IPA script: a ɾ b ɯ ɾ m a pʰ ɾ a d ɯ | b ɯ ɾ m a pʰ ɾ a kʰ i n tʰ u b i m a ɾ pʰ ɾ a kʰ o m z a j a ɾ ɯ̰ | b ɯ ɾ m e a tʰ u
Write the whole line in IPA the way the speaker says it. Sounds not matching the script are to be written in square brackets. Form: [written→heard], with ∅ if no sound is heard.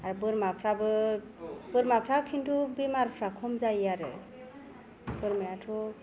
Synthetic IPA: a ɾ b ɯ ɾ m a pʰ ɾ a [d→b] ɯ | b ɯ ɾ m a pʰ ɾ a kʰ i n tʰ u b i m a ɾ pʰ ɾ a kʰ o m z a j a ɾ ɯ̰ | b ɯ ɾ m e a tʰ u